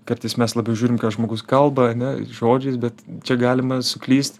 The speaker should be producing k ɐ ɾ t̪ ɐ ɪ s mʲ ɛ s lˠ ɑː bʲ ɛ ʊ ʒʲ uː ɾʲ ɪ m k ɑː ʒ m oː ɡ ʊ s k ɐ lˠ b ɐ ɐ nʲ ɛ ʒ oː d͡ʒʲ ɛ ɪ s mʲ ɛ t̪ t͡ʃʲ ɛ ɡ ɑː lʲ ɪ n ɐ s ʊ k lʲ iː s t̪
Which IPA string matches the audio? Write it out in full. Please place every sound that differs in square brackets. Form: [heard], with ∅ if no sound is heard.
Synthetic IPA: k ɐ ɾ t̪ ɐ ɪ s mʲ ɛ s lˠ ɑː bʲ ɛ ʊ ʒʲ uː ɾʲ ɪ m k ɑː ʒ m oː ɡ ʊ s k ɐ lˠ b ɐ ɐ nʲ ɛ ʒ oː d͡ʒʲ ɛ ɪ s [bʲ] ɛ t̪ t͡ʃʲ ɛ ɡ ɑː lʲ ɪ [m] ɐ s ʊ k lʲ iː s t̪